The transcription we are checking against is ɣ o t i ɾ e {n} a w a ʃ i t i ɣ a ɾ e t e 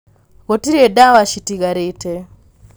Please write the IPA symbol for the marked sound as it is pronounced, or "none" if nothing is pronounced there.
d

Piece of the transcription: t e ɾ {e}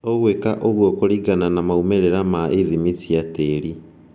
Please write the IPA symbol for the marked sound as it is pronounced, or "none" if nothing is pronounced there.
i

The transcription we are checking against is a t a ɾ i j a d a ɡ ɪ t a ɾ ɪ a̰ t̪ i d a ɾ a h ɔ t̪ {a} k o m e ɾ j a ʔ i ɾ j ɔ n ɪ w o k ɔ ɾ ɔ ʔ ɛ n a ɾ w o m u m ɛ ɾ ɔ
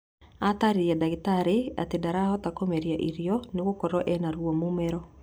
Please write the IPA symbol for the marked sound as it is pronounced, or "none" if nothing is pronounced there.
a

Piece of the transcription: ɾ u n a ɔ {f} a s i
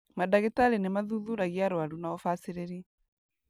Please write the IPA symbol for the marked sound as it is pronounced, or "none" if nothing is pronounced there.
f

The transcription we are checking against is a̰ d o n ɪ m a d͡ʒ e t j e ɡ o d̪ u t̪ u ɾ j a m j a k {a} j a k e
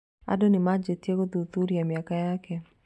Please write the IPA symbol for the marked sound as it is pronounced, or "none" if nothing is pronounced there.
a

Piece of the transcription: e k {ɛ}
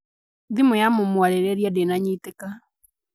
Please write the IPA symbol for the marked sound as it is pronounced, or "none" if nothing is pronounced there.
a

